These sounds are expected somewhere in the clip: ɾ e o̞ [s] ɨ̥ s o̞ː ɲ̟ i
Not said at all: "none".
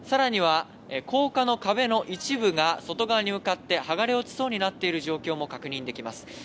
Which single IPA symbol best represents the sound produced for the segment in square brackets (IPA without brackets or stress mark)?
t͡s